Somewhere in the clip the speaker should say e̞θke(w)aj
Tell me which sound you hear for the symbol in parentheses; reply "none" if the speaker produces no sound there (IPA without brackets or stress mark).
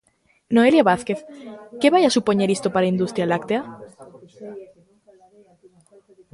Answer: β